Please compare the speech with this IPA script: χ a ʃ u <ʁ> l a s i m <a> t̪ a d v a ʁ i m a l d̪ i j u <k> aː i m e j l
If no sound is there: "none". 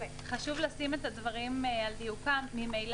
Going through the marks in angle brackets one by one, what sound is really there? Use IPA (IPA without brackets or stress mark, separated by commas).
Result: v, e, k